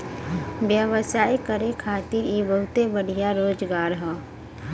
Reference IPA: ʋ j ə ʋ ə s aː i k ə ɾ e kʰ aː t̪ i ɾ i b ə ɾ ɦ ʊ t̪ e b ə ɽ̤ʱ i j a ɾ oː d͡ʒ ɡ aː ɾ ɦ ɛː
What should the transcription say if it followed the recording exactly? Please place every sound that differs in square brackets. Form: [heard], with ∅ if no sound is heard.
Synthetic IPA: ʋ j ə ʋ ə s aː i k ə ɾ e kʰ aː t̪ i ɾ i b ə [∅] ɦ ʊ t̪ e b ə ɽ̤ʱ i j a ɾ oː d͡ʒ ɡ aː ɾ ɦ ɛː